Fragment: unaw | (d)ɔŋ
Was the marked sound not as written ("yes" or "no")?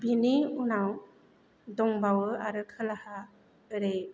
no